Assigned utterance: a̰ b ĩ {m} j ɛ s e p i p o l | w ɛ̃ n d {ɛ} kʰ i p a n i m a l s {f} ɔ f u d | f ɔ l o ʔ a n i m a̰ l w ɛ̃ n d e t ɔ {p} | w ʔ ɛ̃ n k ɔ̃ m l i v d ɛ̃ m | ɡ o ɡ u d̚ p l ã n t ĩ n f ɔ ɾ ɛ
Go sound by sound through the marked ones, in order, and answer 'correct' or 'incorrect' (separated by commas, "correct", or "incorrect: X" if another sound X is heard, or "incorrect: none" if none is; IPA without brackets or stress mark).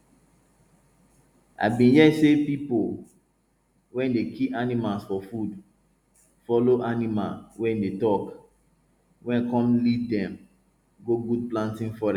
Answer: incorrect: n, incorrect: e, correct, incorrect: k